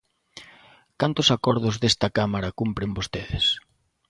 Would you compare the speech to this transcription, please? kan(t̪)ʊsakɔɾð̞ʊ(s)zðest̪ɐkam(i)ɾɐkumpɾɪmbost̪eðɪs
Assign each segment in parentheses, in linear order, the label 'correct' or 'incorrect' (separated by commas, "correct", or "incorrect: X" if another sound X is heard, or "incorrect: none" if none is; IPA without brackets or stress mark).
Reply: correct, incorrect: none, incorrect: a